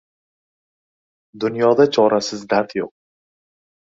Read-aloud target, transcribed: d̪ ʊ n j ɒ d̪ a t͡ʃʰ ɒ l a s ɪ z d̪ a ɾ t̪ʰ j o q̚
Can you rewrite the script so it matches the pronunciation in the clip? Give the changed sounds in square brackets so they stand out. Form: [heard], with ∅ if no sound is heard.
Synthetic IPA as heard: d̪ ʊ n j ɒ d̪ a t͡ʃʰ ɒ [ɾ] a s ɪ z d̪ a ɾ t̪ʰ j o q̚

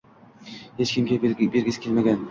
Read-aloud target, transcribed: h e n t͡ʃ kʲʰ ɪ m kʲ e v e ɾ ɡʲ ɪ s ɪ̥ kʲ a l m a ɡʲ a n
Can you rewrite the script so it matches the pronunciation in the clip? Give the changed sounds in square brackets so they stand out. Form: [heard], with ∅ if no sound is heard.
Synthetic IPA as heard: h e [∅] t͡ʃ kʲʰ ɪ m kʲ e [b] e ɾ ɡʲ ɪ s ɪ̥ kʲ [e] l m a ɡʲ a n

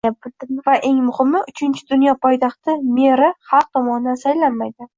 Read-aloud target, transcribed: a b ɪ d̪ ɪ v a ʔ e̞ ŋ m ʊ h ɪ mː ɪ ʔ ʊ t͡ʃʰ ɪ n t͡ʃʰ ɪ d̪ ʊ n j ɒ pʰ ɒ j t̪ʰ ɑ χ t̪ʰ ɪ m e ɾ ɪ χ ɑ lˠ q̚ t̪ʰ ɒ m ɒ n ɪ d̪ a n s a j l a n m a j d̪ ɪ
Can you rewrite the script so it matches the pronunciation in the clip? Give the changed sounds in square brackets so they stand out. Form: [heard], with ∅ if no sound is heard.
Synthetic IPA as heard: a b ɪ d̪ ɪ v a ʔ e̞ ŋ m ʊ h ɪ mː ɪ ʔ ʊ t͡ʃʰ ɪ n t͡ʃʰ ɪ d̪ ʊ n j ɒ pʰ ɒ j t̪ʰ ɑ χ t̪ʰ ɪ m e ɾ ɪ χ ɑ lˠ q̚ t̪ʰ ɒ m ɒ n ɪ d̪ a n s a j l a n m a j d̪ ɪ

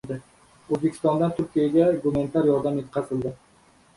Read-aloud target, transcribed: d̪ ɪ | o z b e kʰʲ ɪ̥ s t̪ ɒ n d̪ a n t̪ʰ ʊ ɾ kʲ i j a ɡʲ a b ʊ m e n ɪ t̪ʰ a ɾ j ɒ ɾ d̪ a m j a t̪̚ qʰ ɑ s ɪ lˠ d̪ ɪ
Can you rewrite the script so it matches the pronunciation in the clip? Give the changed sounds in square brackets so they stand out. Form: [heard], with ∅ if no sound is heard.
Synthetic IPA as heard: d̪ ɪ | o z b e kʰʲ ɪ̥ s t̪ ɒ n d̪ a n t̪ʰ ʊ ɾ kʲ i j a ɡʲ a [ɡ] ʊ m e n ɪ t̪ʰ a ɾ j ɒ ɾ d̪ a m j [e] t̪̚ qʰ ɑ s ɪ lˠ d̪ ɪ

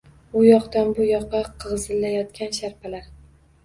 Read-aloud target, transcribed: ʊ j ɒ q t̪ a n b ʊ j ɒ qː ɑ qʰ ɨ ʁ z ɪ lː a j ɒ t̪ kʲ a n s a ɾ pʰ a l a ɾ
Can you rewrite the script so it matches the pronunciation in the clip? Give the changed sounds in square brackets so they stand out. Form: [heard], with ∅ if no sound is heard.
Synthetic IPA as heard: ʊ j ɒ q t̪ a n b ʊ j ɒ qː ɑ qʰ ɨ ʁ z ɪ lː a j ɒ t̪ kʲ a n [ʃ] a ɾ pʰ a l a ɾ

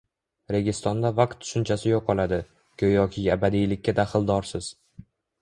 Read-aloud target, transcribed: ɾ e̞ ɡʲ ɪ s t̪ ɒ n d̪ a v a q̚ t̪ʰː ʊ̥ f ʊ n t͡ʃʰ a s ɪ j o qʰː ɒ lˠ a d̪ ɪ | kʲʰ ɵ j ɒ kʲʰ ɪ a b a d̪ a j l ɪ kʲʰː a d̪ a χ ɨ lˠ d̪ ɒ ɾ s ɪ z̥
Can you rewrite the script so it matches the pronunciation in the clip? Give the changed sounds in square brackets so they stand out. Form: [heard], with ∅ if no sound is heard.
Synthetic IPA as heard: ɾ e̞ ɡʲ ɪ s t̪ ɒ n d̪ a v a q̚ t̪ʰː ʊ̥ [ʃ] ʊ n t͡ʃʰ a s ɪ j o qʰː ɒ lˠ a d̪ ɪ | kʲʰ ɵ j ɒ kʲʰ ɪ a b a d̪ [i] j l ɪ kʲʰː a d̪ a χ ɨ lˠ d̪ ɒ ɾ s ɪ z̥

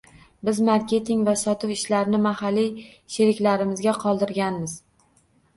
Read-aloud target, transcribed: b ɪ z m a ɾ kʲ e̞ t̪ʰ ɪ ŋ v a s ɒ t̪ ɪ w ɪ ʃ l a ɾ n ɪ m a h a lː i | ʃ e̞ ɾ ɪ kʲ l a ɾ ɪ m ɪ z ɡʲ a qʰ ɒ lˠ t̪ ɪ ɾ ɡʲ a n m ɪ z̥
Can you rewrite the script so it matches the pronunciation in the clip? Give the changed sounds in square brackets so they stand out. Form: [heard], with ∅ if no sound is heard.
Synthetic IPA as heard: b ɪ z m a ɾ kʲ e̞ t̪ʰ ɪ ŋ v a s ɒ t̪ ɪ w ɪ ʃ l a ɾ n ɪ m a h a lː i | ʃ e̞ ɾ ɪ kʲ l a ɾ ɪ m ɪ z ɡʲ a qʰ ɒ lˠ [d̪] ɪ ɾ ɡʲ a n m ɪ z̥

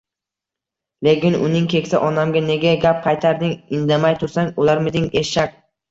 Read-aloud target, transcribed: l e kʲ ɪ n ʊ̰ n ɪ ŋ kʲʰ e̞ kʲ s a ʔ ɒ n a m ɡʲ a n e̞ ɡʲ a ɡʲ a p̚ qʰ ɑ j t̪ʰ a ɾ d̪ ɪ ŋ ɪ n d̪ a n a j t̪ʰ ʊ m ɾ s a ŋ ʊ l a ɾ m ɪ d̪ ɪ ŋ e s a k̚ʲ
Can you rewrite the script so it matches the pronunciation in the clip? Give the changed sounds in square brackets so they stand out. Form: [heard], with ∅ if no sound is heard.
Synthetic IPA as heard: l e kʲ ɪ n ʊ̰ n ɪ ŋ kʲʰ e̞ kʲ s a ʔ ɒ n a m ɡʲ a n e̞ ɡʲ a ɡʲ a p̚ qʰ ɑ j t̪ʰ a ɾ d̪ ɪ ŋ ɪ n d̪ a [m] a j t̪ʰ ʊ [∅] ɾ s a ŋ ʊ l a ɾ m ɪ d̪ ɪ ŋ e [ʃ] a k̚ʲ

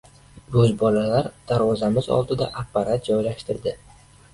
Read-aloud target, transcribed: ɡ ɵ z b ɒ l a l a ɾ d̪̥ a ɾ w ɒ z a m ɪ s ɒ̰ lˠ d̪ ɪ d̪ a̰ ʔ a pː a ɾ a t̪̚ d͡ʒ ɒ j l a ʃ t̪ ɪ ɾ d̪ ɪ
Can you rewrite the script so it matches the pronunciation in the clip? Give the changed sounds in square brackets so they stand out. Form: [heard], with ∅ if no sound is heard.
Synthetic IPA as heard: ɡ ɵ z b ɒ l a l a ɾ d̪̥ a ɾ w ɒ z a m ɪ [z] ɒ̰ lˠ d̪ ɪ d̪ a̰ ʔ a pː a ɾ a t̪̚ d͡ʒ ɒ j l a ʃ t̪ ɪ ɾ d̪ ɪ

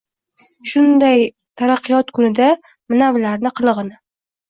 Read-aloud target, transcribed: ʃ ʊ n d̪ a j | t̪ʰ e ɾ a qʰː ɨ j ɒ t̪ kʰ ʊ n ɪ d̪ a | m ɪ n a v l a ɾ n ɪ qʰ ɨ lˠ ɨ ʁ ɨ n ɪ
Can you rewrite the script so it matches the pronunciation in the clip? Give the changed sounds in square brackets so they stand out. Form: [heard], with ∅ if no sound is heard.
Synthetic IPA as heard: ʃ ʊ n d̪ a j | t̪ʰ [a] ɾ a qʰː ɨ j ɒ t̪ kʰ ʊ n ɪ d̪ a | m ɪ n a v l a ɾ n ɪ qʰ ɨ lˠ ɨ ʁ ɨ n ɪ

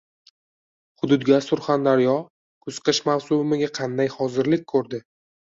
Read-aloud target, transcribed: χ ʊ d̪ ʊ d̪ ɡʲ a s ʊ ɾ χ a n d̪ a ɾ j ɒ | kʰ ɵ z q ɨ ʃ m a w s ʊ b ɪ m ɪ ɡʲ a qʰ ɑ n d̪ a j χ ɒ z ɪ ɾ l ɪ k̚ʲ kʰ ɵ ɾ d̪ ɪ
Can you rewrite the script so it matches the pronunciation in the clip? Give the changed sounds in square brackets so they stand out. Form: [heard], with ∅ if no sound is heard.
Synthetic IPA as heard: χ ʊ d̪ ʊ d̪ ɡʲ a s ʊ ɾ χ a n d̪ a ɾ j ɒ | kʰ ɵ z q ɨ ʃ m a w s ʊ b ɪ m ɪ ɡʲ a qʰ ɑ n d̪ a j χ ɒ z ɪ ɾ l ɪ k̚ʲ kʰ ɵ ɾ d̪ ɪ

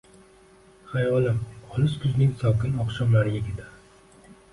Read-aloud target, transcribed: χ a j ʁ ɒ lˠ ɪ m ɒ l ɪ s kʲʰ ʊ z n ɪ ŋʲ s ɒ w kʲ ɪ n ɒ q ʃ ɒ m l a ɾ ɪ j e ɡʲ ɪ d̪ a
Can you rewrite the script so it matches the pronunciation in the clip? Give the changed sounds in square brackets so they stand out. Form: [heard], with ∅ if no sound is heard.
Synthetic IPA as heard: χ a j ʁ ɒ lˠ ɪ m ɒ l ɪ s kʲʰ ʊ z n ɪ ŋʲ s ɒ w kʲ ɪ n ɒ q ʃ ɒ m l a ɾ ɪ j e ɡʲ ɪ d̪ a

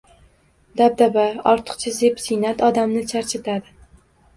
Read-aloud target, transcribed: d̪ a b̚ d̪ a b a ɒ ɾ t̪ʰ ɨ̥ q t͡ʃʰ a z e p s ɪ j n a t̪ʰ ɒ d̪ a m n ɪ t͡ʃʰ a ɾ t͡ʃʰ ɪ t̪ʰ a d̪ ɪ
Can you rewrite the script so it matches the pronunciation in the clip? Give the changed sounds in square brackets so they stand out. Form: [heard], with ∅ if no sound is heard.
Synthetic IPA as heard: d̪ a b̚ d̪ a b a ɒ ɾ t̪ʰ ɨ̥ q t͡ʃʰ a z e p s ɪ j n a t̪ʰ ɒ d̪ a m n ɪ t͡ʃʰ a ɾ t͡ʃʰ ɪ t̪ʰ a d̪ ɪ

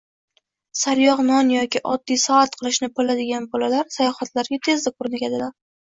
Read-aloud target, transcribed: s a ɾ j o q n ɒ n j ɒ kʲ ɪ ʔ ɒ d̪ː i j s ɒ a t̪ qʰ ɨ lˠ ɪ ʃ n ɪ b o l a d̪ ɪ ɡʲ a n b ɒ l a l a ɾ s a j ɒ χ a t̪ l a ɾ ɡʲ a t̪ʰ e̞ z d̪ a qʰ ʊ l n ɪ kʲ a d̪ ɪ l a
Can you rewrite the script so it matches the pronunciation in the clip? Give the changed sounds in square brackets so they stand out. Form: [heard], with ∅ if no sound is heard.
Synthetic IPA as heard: s a ɾ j [ɒ] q n ɒ n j ɒ kʲ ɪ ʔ ɒ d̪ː i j s ɒ a t̪ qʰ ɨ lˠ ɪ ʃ n ɪ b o l a d̪ ɪ ɡʲ a n b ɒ l a l a ɾ s a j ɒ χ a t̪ l a ɾ ɡʲ a t̪ʰ e̞ z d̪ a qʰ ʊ [ɾ] n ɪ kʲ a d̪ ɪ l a

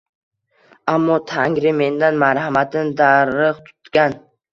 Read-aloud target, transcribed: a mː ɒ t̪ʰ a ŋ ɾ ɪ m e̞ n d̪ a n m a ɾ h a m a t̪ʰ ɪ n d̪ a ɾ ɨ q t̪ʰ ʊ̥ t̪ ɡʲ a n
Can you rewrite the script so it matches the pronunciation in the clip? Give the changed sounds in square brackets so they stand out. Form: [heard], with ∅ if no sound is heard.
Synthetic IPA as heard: a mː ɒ t̪ʰ a ŋ ɾ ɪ m e̞ n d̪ a n m a ɾ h a m a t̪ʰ ɪ n d̪ a ɾ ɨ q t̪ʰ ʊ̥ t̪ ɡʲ a n

